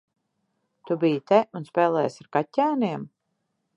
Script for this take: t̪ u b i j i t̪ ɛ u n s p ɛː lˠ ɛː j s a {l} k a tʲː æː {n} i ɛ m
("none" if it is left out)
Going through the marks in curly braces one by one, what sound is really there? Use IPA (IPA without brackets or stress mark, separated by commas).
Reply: ɾ, n